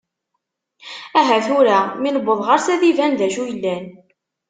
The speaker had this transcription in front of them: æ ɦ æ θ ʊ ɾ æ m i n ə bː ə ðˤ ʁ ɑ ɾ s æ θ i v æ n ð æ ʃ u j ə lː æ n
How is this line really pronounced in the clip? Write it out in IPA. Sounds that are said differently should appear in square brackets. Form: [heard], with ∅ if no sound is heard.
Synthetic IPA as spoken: æ ɦ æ θ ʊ ɾ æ m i n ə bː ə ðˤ ʁ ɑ ɾ s æ [ð] i v æ n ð æ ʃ u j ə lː æ n